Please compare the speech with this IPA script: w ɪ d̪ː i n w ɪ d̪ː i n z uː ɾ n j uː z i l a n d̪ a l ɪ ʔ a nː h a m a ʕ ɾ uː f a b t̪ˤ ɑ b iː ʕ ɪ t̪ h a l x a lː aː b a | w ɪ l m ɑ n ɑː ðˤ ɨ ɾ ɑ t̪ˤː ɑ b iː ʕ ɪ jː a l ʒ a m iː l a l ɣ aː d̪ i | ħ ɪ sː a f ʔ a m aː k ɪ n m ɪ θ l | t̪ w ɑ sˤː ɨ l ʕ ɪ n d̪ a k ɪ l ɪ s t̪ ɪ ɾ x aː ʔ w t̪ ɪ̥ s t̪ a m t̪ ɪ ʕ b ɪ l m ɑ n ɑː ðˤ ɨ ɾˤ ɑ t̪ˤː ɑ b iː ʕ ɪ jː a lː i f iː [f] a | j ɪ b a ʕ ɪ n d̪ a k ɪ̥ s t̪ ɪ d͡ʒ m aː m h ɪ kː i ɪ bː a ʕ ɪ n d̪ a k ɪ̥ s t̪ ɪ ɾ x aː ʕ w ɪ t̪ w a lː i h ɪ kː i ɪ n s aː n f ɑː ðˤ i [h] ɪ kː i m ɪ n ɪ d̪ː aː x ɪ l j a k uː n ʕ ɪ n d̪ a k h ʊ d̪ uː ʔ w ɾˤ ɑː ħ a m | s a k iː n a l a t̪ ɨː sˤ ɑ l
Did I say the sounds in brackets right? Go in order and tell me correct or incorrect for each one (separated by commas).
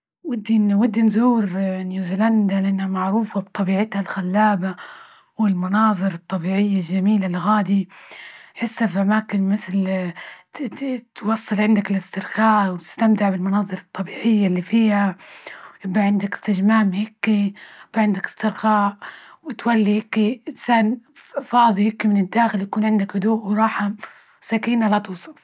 incorrect, correct